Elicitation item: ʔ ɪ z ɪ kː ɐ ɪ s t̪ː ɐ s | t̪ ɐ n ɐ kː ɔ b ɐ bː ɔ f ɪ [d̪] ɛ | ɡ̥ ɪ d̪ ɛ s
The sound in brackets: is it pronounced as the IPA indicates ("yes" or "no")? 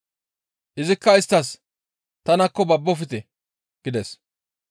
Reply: no